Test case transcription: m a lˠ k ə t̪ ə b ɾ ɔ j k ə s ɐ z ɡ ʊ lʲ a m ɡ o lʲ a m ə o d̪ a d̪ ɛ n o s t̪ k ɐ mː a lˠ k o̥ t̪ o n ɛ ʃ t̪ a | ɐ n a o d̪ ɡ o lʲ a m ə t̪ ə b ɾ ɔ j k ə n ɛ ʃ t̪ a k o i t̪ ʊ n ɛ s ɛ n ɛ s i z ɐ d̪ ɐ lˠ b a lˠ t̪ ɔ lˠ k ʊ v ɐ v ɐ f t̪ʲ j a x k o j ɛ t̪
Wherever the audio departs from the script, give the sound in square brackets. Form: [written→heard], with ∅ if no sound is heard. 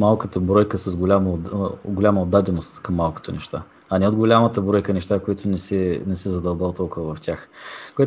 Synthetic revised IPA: m a lˠ k ə t̪ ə b ɾ ɔ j k ə s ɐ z ɡ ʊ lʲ a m ɡ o lʲ a m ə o d̪ a d̪ ɛ n o s t̪ k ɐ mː a lˠ k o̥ t̪ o n ɛ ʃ t̪ a | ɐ n [a→ɛ] o d̪ ɡ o lʲ a m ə t̪ ə b ɾ ɔ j k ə n ɛ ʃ t̪ a k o i t̪ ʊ n ɛ s ɛ n ɛ s [i→ɛ] z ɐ d̪ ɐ lˠ b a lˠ t̪ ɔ lˠ k ʊ v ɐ v ɐ f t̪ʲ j a x k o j ɛ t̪